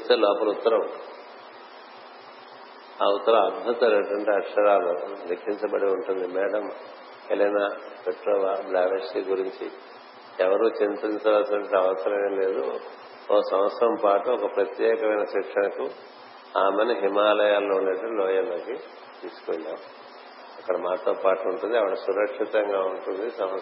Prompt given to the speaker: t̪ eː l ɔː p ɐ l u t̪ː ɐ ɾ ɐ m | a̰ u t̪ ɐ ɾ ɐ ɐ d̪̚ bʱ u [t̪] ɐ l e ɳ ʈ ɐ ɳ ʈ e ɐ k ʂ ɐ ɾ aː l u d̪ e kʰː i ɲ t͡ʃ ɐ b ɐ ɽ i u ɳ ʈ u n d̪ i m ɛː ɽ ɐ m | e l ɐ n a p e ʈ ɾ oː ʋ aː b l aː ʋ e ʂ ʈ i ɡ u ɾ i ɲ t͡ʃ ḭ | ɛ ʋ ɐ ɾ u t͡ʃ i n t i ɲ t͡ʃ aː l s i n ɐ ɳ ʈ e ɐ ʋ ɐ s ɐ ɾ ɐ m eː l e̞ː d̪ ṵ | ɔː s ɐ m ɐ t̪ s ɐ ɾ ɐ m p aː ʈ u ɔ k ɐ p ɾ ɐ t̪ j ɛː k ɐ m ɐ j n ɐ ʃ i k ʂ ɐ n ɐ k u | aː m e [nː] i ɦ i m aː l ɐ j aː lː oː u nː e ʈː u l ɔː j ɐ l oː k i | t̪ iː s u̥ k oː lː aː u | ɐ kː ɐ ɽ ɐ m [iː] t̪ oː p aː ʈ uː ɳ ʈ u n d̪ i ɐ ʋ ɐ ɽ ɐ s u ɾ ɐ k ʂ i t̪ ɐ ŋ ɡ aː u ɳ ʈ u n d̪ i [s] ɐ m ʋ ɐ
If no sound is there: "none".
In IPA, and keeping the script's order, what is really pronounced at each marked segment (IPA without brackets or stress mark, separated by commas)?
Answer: t̪, n, aː, s